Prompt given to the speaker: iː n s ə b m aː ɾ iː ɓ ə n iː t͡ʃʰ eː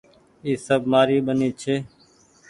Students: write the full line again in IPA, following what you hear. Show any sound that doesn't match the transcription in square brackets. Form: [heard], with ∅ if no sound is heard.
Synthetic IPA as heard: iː [∅] s ə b m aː ɾ iː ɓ ə n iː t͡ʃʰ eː